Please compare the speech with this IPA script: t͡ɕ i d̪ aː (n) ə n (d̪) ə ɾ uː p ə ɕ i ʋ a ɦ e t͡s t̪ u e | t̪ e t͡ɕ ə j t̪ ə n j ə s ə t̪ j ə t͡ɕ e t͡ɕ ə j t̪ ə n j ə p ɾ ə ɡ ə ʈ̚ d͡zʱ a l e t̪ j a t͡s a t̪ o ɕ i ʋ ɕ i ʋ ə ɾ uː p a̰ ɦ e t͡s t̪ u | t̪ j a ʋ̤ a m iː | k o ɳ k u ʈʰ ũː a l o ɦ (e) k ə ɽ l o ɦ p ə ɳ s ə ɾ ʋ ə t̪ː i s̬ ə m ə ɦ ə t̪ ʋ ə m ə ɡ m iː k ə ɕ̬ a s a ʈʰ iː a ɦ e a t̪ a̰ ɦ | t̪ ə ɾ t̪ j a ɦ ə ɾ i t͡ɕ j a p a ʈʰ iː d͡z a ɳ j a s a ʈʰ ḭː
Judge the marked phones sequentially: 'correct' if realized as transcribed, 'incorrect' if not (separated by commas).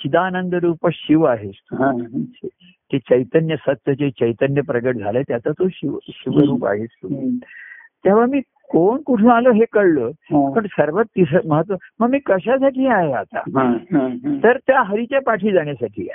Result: correct, correct, correct